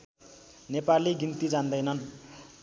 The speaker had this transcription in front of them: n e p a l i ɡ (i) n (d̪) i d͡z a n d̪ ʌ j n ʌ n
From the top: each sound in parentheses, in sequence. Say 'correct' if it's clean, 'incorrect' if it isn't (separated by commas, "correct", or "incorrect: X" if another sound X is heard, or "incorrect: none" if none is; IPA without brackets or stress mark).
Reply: correct, incorrect: t̪